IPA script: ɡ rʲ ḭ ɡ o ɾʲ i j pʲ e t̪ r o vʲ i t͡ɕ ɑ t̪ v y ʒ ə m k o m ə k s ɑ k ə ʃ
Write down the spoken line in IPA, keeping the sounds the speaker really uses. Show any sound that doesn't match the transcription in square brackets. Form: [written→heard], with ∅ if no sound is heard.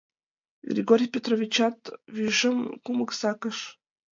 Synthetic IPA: ɡ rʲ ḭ ɡ o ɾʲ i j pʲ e t̪ r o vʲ i t͡ɕ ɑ t̪ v y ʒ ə m k [o→u] m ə k s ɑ k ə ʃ